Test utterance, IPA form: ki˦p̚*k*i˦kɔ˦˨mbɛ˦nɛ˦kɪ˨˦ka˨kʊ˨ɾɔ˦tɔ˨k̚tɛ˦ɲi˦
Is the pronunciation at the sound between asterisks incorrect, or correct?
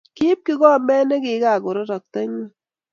correct